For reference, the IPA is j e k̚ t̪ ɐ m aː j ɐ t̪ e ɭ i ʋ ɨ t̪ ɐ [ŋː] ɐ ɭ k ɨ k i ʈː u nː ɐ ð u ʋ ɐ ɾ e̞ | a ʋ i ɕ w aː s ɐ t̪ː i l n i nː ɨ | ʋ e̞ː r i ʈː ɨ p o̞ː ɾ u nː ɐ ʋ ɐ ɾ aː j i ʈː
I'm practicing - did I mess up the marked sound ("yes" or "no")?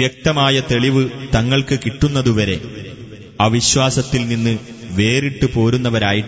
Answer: no